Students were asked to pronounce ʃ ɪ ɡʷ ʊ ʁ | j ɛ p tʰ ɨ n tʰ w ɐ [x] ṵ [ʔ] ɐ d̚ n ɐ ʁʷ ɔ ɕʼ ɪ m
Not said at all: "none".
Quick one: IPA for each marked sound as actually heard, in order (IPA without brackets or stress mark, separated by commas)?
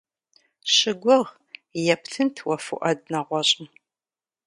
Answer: f, ʔ